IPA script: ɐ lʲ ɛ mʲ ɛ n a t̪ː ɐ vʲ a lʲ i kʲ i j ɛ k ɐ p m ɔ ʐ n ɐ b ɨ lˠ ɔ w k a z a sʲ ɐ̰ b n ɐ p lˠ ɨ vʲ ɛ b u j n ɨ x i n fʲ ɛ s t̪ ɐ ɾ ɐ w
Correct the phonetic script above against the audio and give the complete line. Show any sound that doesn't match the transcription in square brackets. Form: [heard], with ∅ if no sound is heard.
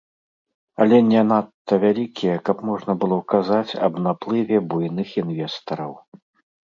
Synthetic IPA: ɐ lʲ ɛ [nʲ] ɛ n a t̪ː ɐ vʲ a lʲ i kʲ i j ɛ k ɐ p m ɔ ʐ n ɐ b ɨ lˠ ɔ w k a z a [t͡sʲ] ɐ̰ b n [a] p lˠ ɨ vʲ ɛ b u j n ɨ x i n [vʲ] ɛ s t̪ ɐ ɾ ɐ w